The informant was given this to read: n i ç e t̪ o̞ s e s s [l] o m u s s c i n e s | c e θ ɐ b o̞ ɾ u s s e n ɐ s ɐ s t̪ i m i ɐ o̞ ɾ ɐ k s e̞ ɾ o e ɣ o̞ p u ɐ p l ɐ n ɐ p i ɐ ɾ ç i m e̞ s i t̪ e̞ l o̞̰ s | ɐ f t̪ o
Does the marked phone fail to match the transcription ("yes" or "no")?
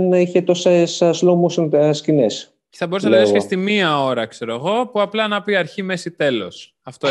no